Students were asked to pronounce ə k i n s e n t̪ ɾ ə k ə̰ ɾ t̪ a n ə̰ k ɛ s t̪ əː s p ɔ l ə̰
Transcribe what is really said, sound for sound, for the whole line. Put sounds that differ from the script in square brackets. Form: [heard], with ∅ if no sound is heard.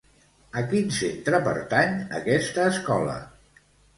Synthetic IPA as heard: ə k i n s e n t̪ ɾ ə [p] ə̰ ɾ t̪ a [ɲ] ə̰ k ɛ s t̪ əː s [k] ɔ l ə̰